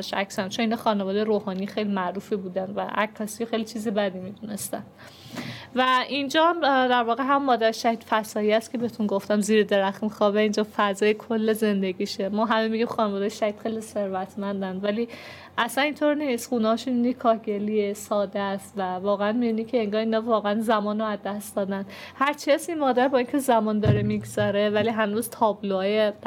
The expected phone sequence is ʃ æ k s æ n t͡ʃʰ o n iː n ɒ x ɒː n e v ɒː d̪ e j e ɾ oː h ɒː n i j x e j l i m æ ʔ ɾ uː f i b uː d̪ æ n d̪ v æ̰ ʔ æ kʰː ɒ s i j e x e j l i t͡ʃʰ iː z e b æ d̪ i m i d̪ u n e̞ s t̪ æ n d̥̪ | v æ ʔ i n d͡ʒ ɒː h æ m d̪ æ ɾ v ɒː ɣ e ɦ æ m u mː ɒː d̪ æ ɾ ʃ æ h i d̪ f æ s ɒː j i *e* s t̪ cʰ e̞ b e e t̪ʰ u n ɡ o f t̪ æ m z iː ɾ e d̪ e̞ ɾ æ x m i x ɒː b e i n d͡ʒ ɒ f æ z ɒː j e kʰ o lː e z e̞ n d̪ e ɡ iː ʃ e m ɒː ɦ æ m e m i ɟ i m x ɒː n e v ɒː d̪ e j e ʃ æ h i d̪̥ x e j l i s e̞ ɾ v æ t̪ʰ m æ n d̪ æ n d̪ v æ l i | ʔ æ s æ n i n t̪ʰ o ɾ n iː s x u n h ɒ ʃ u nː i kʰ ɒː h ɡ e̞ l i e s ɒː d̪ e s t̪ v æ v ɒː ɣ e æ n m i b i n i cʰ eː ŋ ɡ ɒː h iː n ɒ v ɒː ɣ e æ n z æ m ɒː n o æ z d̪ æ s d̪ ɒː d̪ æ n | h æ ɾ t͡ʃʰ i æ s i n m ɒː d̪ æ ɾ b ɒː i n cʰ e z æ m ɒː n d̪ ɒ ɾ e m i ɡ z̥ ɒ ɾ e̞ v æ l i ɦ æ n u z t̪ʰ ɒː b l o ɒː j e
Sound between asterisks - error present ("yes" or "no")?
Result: yes